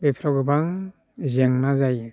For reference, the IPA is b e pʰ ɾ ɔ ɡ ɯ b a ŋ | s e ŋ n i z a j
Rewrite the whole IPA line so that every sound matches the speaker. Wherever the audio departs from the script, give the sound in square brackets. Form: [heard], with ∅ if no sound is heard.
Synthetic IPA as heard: b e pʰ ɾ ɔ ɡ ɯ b a ŋ | [z] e ŋ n [a] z a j